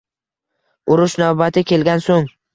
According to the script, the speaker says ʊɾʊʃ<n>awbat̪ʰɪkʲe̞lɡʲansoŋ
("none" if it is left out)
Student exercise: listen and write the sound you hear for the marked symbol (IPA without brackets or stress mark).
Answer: n